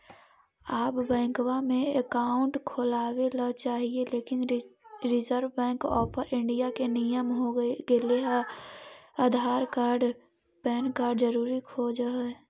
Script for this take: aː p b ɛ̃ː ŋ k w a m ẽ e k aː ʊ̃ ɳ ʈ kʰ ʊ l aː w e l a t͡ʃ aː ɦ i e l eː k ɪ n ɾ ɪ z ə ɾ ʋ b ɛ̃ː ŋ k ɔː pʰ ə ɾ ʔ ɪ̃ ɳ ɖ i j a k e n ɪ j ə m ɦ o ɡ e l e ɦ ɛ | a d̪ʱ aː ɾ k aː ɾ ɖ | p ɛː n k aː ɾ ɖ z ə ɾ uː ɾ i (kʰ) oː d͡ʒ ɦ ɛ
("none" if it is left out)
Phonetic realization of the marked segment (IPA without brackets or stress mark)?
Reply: kʰ